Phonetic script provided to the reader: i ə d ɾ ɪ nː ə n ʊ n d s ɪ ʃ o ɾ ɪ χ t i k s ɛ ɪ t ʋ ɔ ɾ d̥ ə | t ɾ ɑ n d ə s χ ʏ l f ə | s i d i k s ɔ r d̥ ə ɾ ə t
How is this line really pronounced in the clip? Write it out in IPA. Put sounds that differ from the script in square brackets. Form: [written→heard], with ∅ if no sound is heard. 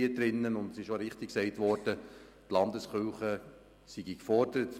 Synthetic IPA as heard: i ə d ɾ ɪ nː ə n ʊ n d s ɪ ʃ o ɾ ɪ χ t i k s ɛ ɪ t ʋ ɔ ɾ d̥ ə | t [ɾ→l] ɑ n d ə s χ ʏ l [f→χ] ə | s i [d→ɡ] i k [s→f] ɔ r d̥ ə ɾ ə t